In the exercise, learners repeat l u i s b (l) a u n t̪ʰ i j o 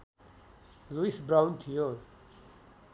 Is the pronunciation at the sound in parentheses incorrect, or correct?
incorrect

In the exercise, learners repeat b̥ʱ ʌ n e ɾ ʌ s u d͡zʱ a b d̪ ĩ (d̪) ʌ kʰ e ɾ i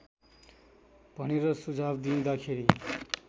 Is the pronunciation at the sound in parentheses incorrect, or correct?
correct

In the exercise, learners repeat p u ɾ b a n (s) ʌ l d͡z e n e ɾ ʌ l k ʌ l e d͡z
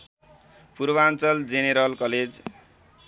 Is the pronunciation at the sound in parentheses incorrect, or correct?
incorrect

